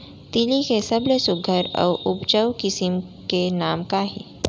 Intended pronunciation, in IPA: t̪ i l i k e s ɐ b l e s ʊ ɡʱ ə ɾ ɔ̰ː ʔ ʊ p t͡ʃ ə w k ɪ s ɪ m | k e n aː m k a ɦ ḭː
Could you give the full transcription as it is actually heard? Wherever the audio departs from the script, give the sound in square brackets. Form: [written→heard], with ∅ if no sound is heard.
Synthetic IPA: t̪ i l i k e s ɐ b l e s ʊ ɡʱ ə ɾ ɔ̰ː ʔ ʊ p t͡ʃ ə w k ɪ s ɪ m | k e n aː m k a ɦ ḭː